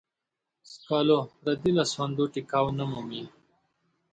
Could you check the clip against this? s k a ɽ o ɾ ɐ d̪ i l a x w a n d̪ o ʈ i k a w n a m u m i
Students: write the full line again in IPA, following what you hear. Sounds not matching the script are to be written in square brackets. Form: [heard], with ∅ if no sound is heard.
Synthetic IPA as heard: s k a [l] o ɾ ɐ d̪ i l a [s] w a n d̪ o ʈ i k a w n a m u m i

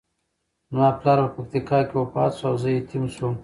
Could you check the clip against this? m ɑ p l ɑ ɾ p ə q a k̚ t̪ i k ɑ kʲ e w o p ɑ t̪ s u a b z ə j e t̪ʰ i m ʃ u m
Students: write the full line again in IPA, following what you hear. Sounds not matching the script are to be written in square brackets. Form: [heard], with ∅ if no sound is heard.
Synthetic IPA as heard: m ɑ p l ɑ ɾ p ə [p] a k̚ t̪ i k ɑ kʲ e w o p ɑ t̪ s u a [w] z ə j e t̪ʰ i m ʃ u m

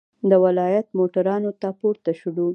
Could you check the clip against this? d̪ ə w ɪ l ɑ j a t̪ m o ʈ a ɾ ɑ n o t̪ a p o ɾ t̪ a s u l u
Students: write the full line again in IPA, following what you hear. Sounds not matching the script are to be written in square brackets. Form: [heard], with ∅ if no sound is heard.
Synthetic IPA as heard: d̪ ə w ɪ l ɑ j a t̪ m o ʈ a ɾ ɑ n o t̪ a p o ɾ t̪ a [ʃ] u [ɽ] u

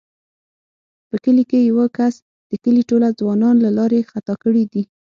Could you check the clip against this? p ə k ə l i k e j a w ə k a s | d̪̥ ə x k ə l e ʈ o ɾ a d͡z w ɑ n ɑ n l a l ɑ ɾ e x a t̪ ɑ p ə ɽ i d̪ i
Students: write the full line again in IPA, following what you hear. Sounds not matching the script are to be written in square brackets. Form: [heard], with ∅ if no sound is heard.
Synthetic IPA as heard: p ə k ə l i k e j a w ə k a s | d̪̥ ə [∅] k ə l [i] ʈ o [l] a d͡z w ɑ n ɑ n l a l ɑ ɾ e x a t̪ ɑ [k] ə ɽ i d̪ i

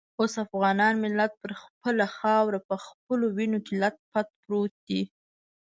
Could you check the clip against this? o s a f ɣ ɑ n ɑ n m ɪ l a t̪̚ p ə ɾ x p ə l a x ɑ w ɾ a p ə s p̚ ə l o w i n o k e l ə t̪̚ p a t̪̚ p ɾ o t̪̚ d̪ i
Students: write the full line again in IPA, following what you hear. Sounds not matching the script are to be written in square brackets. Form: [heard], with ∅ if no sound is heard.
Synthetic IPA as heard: o s a f ɣ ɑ n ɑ n m ɪ l a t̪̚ p ə ɾ x p ə l a x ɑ w ɾ a p ə [x] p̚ ə l o w i n o k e l [a] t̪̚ p a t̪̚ p ɾ o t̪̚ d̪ i

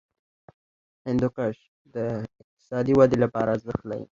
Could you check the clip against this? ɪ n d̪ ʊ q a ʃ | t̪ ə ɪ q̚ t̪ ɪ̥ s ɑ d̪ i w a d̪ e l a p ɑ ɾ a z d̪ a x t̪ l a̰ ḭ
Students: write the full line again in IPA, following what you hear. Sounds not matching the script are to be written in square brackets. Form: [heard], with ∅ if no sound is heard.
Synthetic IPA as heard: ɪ n d̪ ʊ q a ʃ | [d̪] ə ɪ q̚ t̪ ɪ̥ s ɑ d̪ i w a d̪ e l a p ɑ ɾ a z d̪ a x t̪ l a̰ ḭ

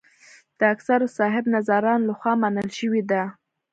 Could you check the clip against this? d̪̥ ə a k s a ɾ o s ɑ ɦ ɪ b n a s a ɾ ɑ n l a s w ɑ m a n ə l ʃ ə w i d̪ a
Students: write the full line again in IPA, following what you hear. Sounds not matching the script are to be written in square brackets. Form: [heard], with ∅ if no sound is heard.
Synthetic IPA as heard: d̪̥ ə a k s a ɾ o s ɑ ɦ ɪ b n a [z] a ɾ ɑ n l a [x] w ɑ m a n ə l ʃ ə w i d̪ a

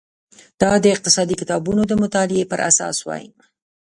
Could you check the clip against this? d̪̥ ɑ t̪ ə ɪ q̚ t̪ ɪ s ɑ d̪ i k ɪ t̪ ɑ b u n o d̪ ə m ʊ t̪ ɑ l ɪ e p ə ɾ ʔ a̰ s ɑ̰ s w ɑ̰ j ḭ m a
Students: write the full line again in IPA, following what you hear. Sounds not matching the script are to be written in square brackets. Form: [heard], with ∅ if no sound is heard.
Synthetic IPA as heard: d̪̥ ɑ [d̪] ə ɪ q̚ t̪ ɪ s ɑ d̪ i k ɪ t̪ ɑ b u n o d̪ ə m ʊ t̪ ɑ l ɪ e p ə ɾ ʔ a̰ s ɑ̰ s w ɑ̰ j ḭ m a

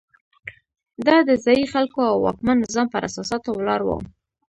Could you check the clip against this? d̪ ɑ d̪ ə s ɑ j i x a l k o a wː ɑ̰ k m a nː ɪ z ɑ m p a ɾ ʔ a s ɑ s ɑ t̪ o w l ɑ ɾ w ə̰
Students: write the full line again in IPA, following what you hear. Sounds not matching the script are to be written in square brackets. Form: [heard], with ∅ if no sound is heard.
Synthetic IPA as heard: d̪ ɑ d̪ ə [z] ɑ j i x a l k o a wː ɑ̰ k m a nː ɪ z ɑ m p [ə] ɾ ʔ a s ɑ s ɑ t̪ o w l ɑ ɾ w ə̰

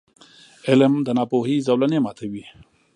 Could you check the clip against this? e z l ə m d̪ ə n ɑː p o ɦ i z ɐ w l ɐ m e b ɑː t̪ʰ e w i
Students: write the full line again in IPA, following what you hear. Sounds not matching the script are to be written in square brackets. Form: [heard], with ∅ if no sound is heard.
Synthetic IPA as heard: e [∅] l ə m d̪ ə n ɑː p o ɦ i z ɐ w l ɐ [n] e [m] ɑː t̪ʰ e w i

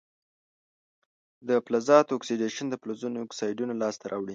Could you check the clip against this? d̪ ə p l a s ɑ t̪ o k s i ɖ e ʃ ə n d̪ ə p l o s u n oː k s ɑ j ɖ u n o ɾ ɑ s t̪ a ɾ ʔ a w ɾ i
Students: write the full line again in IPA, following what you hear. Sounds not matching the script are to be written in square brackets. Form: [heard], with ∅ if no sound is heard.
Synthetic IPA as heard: d̪ ə p l a [z] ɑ t̪ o k s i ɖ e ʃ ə n d̪ ə p l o [z] u n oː k s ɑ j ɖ u n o [l] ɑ s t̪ a ɾ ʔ [ɑ] w [ɽ] i

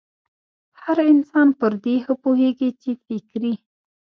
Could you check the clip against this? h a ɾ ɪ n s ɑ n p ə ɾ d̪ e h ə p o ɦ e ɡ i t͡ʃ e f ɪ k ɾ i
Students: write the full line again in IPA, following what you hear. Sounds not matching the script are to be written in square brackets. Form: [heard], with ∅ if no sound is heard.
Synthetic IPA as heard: h a ɾ ɪ n s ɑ n p ə ɾ d̪ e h ə p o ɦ e ɡ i t͡ʃ e f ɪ k ɾ i

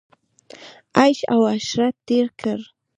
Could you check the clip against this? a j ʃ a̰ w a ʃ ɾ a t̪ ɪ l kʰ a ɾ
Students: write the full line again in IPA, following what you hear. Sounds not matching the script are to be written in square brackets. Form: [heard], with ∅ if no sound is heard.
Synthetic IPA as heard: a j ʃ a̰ w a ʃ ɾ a t̪ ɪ [ɾ] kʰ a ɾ

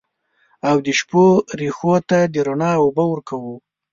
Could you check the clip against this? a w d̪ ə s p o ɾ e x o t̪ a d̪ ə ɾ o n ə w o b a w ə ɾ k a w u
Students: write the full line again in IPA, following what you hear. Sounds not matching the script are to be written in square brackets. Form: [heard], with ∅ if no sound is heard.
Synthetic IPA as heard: a w d̪ ə [ʃ] p o ɾ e x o t̪ a d̪ ə ɾ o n [ɑ] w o b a w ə ɾ k a w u

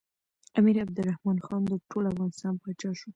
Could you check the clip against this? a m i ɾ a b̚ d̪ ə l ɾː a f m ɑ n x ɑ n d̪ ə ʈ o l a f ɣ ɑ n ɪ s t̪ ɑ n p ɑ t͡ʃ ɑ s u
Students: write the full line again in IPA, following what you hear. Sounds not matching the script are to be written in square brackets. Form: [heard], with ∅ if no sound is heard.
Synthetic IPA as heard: a m i ɾ a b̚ d̪ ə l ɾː a [h] m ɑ n x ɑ n d̪ ə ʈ o l a f ɣ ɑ n ɪ s t̪ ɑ n p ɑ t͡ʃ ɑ [ʃ] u

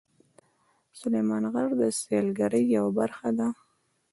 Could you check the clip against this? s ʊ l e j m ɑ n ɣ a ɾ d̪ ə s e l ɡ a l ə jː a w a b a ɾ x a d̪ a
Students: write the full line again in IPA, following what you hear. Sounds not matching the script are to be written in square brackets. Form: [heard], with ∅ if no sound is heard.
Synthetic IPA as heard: s ʊ l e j m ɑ n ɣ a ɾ d̪ ə s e l ɡ a [ɾ] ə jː a w a b a ɾ x a d̪ a

